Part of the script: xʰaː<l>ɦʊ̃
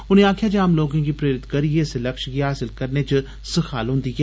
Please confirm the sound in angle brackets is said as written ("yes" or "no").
yes